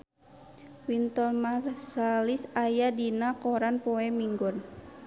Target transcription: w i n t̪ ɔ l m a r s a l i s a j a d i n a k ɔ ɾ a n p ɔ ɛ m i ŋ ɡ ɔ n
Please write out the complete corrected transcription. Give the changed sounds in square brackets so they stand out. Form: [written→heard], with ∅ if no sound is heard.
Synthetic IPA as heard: w i n t̪ ɔ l m a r s a l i s a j a d i n a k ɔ ɾ a n p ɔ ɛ m i ŋ ɡ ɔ n